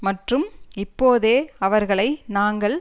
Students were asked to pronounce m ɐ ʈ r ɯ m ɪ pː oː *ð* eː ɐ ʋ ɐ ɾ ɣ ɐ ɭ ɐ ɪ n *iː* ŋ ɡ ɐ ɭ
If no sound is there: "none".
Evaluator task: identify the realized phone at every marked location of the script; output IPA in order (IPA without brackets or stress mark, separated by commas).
ð, aː